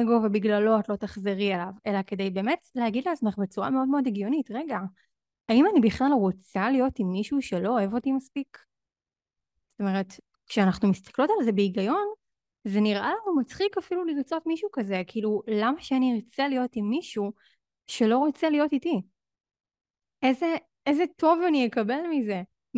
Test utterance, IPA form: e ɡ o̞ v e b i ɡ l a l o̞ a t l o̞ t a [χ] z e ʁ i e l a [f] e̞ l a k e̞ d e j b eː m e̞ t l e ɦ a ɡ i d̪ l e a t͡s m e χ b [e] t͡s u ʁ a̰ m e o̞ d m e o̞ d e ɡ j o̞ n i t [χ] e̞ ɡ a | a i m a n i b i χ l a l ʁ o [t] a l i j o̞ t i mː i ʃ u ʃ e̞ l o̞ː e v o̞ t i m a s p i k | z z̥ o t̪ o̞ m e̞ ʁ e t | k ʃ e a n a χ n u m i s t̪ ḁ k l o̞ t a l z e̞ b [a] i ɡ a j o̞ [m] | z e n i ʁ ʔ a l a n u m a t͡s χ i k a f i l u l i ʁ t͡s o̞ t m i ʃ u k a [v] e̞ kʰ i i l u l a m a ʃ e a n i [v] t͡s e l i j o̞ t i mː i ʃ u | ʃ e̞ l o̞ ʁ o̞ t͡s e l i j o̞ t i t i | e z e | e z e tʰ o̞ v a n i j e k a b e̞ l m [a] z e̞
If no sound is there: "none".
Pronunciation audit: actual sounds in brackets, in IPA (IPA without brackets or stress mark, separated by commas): χ, v, e, ʁ, t͡s, e, n, z, ʁ, i